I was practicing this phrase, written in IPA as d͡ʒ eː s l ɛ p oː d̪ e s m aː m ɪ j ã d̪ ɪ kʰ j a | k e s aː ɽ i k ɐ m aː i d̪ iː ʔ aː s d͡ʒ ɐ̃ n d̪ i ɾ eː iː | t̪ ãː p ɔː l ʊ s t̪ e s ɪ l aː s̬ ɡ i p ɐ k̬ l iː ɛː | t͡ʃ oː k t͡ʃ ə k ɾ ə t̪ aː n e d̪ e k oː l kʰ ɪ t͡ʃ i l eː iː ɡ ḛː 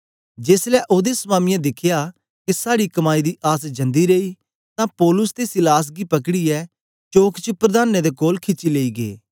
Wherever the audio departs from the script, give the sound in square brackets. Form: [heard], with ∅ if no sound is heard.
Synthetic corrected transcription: d͡ʒ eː s l ɛ [ʔ] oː d̪ e s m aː m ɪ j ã d̪ ɪ kʰ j a | k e s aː ɽ i k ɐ m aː i d̪ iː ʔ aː s d͡ʒ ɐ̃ n d̪ i ɾ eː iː | t̪ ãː p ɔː l ʊ s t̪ e s ɪ l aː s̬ ɡ i p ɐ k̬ [ɽ] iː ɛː | t͡ʃ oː k t͡ʃ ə [p] ɾ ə [d̪] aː n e d̪ e k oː l kʰ ɪ t͡ʃ i l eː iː ɡ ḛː

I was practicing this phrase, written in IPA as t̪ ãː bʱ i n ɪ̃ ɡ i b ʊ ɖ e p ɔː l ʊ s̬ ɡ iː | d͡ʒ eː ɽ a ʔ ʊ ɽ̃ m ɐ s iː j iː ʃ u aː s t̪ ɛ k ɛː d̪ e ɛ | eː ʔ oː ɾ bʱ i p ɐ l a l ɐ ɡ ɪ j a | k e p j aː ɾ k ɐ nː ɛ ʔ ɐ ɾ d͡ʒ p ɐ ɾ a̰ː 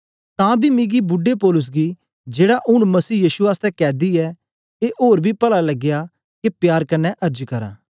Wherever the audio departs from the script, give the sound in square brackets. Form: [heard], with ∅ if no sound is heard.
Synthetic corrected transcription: t̪ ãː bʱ i [m] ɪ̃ ɡ i b ʊ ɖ e p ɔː l ʊ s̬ ɡ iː | d͡ʒ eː ɽ a ʔ ʊ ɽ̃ m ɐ s iː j iː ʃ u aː s t̪ ɛ k ɛː d̪ [i] ɛ | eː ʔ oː ɾ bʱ i p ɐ l a l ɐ ɡ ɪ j a | k e p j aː ɾ k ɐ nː ɛ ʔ ɐ ɾ d͡ʒ [k] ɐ ɾ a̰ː

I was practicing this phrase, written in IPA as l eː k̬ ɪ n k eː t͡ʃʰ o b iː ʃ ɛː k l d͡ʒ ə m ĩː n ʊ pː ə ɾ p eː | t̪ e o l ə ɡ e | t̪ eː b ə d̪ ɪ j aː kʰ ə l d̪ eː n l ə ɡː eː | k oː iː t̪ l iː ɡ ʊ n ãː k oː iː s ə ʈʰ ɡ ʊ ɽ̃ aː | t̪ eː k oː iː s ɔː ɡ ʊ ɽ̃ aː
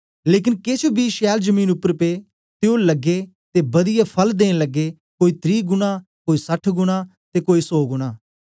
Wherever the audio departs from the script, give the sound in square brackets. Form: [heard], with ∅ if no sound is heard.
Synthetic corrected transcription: l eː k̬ ɪ n k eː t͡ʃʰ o b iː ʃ ɛː [∅] l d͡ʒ ə m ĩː n ʊ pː ə ɾ p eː | t̪ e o l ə ɡ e | t̪ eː b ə d̪ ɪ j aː [pʰ] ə l d̪ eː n l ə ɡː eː | k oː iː t̪ [ɾ] iː ɡ ʊ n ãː k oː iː s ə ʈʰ ɡ ʊ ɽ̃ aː | t̪ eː k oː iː s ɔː ɡ ʊ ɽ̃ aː

